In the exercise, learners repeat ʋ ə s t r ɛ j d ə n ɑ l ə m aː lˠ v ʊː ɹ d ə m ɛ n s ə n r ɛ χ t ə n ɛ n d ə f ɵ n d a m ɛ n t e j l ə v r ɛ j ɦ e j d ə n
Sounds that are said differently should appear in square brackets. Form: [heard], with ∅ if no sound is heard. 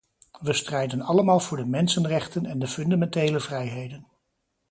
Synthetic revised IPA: ʋ ə s t r ɛ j d ə n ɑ l ə m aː lˠ v ʊː ɹ d ə m ɛ n s ə n r ɛ χ t ə n ɛ n d ə f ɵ n d a m ɛ n t e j l ə v r ɛ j ɦ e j d ə n